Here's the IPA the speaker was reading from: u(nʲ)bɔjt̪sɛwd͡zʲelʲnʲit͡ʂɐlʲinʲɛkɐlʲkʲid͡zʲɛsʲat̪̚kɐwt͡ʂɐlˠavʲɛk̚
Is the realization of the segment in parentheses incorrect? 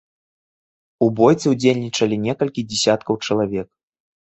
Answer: yes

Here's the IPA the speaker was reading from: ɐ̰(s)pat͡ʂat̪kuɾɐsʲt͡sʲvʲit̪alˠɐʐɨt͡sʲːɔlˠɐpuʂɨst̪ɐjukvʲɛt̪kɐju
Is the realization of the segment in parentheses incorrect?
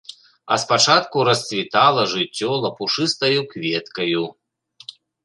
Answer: no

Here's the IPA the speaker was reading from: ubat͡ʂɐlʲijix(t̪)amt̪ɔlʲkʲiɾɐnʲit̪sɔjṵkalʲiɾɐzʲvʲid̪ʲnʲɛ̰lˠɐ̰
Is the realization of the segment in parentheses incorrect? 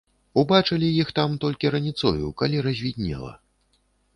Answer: no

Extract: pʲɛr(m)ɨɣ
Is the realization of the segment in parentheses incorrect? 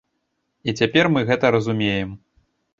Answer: no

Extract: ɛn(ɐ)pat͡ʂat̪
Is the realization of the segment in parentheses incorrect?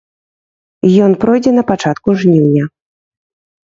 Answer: no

